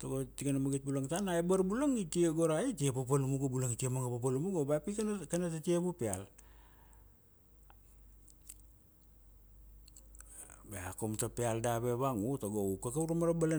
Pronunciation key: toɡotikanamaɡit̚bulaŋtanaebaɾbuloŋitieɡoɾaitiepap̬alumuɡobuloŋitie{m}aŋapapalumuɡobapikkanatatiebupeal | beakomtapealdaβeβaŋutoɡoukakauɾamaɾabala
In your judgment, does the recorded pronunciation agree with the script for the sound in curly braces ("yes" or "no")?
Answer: yes